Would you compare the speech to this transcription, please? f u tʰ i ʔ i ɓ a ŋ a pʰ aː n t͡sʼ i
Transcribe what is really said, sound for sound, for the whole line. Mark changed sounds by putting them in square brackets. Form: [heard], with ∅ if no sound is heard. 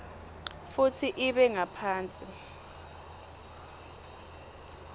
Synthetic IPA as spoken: f u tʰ i ʔ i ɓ [ɛ] ŋ a pʰ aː n t͡sʼ i

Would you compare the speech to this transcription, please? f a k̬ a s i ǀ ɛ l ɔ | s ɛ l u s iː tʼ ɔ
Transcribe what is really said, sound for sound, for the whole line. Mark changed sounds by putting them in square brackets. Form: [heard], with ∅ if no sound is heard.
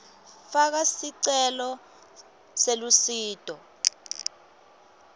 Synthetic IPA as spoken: f a k̬ a s i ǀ ɛ l ɔ | s [e] l u s iː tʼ ɔ

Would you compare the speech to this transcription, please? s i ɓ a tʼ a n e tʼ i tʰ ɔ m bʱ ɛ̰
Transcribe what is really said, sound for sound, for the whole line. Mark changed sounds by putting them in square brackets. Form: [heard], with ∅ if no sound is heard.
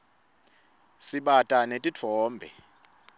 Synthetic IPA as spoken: s i ɓ a tʼ a n e tʼ i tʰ [ɔː] m bʱ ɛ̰

